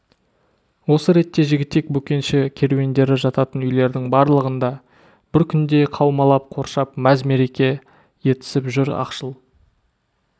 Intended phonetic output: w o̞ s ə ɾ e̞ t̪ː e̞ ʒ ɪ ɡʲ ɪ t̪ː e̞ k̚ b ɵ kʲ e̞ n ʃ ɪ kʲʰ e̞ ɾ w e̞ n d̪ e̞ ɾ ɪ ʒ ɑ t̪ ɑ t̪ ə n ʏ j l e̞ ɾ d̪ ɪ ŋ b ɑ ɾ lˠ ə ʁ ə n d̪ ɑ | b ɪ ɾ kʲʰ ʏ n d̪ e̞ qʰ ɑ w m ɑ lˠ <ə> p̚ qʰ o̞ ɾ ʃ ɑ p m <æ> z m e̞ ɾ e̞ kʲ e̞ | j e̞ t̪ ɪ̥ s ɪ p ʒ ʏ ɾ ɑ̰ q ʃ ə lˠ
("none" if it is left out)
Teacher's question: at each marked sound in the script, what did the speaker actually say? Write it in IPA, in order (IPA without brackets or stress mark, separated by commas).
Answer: ɑ, æ